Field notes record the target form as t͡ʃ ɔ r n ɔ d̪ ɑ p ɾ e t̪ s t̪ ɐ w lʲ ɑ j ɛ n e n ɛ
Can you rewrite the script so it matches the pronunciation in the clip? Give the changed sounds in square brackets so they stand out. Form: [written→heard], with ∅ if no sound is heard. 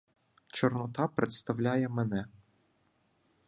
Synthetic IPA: t͡ʃ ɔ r n ɔ [d̪→t̪] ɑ p ɾ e t̪ s t̪ ɐ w lʲ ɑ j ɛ [n→m] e n ɛ